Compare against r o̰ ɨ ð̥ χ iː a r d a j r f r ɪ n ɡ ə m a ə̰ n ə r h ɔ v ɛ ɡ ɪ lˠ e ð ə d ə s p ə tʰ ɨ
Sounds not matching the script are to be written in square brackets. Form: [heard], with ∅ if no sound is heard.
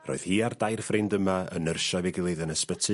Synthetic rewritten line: r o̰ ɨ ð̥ [h] iː a r d a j r f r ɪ n [d] ə m a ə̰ n ə r [ʃ] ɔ v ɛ ɡ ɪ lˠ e ð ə [n] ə s p ə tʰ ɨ